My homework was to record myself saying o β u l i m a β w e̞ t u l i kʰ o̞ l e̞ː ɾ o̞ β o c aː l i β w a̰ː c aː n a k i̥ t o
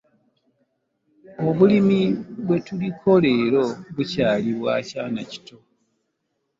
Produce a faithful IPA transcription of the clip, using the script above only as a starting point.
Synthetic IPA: o β u l i m i β w e̞ t u l i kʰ o̞ l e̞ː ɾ o̞ β u c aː l i β w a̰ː c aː n a c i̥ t o